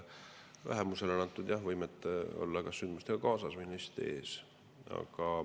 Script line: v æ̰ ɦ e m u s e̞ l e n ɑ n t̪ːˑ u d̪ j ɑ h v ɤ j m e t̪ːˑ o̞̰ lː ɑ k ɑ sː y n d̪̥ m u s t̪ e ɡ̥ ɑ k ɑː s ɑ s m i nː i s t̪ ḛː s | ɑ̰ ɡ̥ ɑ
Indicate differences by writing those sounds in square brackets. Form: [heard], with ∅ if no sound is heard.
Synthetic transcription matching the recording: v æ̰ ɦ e m u s e̞ l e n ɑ n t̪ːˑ u d̪ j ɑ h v ɤ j m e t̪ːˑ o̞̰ lː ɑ k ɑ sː y n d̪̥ m u s t̪ e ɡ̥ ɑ k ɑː s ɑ s m i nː i s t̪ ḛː s | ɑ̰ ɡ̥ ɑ